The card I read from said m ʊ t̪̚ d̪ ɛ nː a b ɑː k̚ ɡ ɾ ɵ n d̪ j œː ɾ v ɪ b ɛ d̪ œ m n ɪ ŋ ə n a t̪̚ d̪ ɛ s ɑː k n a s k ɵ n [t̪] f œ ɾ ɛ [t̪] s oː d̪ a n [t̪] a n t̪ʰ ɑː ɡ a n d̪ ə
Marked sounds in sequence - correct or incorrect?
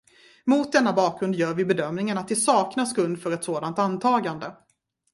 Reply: incorrect: d̪, correct, correct

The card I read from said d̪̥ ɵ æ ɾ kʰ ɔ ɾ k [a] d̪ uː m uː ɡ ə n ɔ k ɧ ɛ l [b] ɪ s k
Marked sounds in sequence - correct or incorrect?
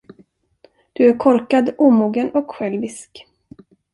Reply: correct, incorrect: v

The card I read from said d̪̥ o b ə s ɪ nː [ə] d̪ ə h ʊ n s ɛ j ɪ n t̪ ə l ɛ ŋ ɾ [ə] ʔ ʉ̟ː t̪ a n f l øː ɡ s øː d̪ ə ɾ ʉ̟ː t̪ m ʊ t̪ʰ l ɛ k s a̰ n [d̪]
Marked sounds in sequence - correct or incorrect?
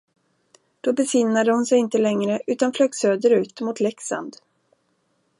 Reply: incorrect: a, correct, correct

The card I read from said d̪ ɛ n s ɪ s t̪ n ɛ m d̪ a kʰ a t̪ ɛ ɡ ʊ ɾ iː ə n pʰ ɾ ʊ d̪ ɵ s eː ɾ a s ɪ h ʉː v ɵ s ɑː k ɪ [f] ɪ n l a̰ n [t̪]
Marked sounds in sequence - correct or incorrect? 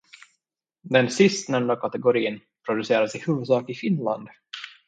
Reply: correct, incorrect: d̪

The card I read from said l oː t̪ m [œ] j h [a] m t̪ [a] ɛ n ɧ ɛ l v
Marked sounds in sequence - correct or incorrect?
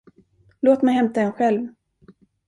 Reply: incorrect: ɛ, incorrect: ɛ, correct

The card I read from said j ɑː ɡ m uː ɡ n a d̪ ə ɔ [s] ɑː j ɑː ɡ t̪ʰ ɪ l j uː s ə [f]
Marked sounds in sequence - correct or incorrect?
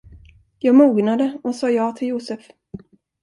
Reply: correct, correct

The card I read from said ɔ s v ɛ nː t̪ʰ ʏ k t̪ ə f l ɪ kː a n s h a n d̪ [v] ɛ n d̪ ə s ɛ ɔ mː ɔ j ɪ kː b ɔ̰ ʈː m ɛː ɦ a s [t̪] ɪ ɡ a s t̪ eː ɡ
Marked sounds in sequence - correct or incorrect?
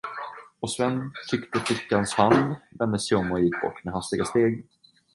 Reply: correct, correct

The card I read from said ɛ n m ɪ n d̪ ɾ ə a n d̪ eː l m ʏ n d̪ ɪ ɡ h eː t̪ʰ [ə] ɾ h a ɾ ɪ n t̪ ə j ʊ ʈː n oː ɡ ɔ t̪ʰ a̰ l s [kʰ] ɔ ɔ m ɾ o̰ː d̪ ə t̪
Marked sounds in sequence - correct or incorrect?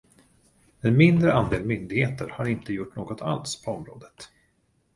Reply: correct, incorrect: pʰ

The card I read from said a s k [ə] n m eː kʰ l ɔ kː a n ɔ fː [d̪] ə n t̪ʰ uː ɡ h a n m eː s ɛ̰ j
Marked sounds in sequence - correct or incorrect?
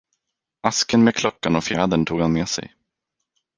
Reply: correct, correct

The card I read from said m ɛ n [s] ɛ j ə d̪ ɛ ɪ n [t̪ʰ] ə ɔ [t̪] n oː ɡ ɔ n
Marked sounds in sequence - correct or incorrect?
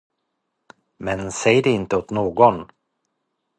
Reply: correct, incorrect: t̪, correct

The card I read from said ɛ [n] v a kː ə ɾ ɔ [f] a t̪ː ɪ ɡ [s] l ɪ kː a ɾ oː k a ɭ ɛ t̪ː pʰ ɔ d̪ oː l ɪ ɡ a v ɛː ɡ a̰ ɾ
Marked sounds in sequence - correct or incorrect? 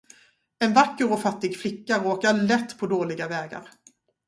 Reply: correct, correct, incorrect: f

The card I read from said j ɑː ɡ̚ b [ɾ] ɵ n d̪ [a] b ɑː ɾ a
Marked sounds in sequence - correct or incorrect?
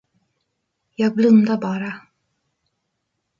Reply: incorrect: l, correct

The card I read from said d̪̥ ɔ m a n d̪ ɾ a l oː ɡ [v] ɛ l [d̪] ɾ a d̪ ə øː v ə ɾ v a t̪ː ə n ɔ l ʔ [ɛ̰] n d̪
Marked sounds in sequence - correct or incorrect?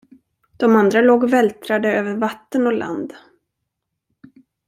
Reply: correct, incorrect: t̪, incorrect: a̰

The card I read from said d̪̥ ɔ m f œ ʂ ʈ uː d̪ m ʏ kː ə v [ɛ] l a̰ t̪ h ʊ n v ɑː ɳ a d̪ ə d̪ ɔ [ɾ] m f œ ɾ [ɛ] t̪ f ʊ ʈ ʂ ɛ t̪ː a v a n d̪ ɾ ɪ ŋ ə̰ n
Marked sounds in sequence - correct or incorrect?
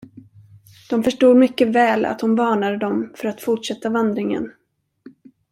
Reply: incorrect: ɛː, incorrect: none, incorrect: a

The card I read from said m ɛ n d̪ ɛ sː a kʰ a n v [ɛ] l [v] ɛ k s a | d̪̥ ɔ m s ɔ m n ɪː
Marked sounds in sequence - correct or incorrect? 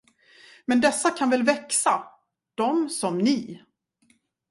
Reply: correct, correct

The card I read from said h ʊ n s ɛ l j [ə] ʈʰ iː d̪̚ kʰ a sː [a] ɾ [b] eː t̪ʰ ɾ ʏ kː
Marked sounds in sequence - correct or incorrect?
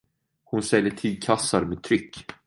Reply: correct, correct, incorrect: m

